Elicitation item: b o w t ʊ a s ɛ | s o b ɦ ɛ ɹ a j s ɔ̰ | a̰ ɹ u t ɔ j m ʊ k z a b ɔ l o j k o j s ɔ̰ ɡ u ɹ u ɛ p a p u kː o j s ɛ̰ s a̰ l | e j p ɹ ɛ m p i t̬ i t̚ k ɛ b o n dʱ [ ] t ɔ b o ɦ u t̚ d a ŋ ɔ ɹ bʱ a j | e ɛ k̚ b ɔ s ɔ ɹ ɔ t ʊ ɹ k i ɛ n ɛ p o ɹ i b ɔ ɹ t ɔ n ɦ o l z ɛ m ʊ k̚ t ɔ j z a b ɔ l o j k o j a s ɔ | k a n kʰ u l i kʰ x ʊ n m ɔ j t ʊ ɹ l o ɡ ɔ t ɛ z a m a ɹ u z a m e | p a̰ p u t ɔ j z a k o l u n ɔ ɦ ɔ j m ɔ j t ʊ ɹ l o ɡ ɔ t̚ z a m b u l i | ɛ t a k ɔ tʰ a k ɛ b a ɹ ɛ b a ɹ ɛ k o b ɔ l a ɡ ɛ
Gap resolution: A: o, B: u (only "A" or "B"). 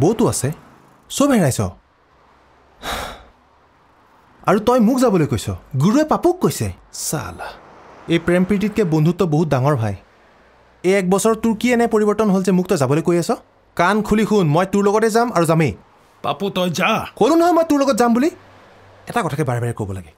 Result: B